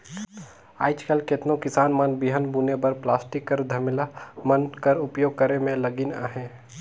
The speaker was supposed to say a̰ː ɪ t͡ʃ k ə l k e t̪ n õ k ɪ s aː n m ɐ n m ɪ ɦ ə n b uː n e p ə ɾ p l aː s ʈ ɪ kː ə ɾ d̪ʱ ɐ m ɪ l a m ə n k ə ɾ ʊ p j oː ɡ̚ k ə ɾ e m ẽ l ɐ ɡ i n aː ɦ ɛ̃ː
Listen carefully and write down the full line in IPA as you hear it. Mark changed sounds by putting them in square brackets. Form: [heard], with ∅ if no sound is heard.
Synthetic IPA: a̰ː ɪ t͡ʃ k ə l k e t̪ n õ k ɪ s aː n m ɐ n [b] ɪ ɦ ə n b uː n e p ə ɾ p l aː s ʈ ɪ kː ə ɾ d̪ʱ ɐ m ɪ l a m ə n k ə ɾ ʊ p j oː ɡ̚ k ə ɾ e m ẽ l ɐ ɡ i n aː ɦ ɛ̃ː